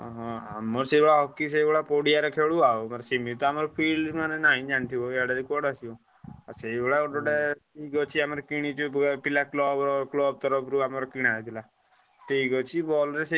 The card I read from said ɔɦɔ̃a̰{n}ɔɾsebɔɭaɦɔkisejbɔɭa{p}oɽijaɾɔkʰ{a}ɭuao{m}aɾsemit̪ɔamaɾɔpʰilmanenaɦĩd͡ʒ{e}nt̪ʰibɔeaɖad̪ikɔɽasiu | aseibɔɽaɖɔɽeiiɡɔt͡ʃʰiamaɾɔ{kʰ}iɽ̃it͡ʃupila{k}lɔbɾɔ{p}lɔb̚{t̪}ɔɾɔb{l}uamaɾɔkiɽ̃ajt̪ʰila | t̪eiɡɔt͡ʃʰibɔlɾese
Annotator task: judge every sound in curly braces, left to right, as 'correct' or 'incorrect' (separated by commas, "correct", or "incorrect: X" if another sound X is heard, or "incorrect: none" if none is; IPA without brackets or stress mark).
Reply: incorrect: m, correct, incorrect: e, correct, incorrect: a, incorrect: k, correct, incorrect: k, correct, incorrect: ɾ